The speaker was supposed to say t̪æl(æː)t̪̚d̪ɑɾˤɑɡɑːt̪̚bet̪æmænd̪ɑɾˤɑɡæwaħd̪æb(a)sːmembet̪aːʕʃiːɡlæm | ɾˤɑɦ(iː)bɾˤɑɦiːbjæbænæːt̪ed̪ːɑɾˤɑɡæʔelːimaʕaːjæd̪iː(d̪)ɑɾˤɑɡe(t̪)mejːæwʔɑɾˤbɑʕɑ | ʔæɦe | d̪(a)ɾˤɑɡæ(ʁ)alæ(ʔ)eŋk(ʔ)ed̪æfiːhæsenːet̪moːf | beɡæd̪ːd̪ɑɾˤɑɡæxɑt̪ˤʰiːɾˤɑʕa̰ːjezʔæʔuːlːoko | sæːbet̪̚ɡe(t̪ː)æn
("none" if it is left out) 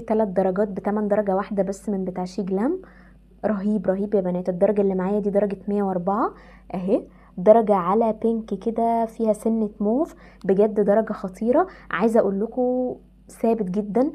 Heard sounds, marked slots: æ, æ, iː, d̪, t̪, ɑ, ʕ, p, k, d̪ː

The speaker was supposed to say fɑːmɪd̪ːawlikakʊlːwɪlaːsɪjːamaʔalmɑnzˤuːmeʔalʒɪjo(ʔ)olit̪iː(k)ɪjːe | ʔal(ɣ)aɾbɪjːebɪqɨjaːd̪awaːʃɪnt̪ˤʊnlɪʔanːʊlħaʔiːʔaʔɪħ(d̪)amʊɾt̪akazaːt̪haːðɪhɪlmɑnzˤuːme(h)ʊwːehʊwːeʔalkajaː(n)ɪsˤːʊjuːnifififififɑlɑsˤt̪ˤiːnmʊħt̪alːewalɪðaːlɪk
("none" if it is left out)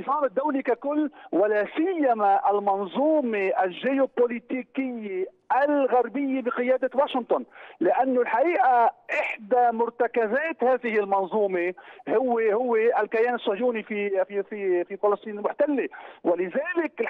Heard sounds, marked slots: p, k, ɣ, d̪, h, n

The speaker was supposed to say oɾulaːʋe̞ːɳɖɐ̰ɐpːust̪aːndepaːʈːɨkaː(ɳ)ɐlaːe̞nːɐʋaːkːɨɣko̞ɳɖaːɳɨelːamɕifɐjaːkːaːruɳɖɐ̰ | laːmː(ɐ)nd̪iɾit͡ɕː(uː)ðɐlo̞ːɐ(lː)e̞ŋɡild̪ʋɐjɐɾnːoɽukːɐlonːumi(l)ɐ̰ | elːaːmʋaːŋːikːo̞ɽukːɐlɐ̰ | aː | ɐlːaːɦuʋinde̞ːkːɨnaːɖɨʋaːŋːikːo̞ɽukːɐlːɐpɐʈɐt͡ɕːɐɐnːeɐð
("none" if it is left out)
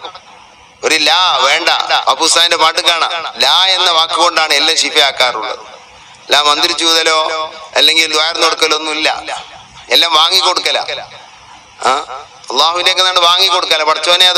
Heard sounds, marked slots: ɳ, ɐ, uː, lː, lː

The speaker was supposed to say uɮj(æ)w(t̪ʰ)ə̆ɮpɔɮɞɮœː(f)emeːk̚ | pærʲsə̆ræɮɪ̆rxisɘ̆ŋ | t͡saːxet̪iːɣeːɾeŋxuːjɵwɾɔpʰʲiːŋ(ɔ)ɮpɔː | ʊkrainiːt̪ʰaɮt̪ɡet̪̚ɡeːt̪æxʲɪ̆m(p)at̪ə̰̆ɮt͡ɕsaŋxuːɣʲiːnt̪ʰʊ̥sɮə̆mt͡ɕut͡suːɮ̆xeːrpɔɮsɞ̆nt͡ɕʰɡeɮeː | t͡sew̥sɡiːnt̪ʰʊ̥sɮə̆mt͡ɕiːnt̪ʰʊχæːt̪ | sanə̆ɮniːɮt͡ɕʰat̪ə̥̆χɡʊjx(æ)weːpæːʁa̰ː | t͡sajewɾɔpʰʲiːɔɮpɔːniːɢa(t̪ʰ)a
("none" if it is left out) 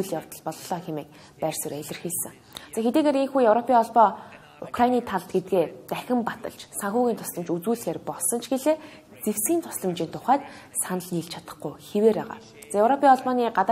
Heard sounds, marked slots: a, t̪, x, ɔ, p, e, t̪

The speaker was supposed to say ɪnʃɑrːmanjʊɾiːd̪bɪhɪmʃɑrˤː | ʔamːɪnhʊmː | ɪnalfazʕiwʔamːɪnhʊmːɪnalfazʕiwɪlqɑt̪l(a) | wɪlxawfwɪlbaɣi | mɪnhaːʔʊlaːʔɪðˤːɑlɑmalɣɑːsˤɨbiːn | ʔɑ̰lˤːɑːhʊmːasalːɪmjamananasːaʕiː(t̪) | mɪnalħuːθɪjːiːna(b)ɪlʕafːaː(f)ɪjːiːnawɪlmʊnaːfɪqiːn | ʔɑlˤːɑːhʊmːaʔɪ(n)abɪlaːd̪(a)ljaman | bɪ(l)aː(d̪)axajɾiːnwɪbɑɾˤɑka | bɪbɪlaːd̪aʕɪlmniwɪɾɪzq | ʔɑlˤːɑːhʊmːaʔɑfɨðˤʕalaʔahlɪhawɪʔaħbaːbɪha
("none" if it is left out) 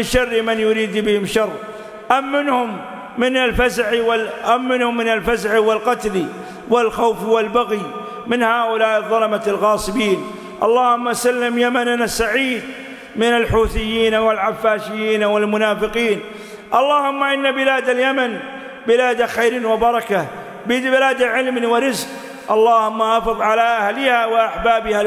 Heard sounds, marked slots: i, d̪, w, ʃ, nː, a, l, d̪

